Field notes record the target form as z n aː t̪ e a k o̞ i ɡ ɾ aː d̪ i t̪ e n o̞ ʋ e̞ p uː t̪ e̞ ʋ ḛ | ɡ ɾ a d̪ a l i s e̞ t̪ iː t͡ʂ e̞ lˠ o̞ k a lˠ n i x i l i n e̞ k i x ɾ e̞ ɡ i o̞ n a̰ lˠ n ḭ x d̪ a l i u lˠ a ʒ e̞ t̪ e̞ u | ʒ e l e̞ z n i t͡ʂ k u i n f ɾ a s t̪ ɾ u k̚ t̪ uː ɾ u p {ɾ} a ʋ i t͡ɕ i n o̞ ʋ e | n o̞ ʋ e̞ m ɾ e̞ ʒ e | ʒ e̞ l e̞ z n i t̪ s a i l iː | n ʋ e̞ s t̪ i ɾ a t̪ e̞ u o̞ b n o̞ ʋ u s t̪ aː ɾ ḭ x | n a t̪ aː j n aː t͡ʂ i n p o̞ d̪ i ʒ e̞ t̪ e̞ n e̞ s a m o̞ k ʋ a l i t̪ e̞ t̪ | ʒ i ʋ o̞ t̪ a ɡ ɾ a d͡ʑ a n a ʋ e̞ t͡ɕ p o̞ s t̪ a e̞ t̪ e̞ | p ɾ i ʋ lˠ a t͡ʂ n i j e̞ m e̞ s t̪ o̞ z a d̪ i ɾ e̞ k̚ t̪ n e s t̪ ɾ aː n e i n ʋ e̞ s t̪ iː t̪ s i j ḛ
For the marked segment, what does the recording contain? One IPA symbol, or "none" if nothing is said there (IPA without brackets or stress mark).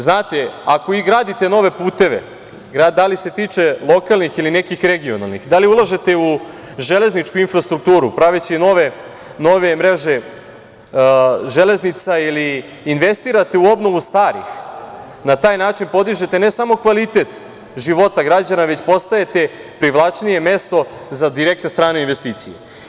ɾ